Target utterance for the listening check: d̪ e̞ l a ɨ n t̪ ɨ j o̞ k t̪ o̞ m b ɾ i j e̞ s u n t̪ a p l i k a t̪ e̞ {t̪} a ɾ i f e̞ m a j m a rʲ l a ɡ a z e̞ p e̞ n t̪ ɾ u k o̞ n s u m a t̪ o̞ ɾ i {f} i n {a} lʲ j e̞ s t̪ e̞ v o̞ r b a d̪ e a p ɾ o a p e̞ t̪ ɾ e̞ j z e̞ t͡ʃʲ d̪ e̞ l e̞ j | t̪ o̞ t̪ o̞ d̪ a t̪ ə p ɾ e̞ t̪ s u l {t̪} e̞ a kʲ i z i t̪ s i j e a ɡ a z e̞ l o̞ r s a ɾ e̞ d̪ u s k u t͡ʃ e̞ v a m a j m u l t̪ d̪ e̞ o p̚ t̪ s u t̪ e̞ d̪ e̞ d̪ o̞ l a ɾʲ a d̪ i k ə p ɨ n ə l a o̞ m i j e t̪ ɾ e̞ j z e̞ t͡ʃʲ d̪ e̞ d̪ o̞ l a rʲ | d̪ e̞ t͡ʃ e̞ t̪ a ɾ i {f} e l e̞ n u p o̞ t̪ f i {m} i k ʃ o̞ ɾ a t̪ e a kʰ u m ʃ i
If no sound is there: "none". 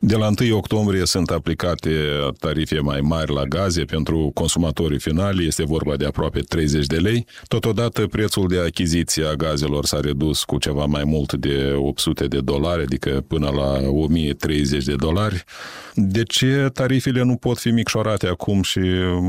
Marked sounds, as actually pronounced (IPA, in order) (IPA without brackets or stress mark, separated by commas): t̪, f, a, d̪, f, m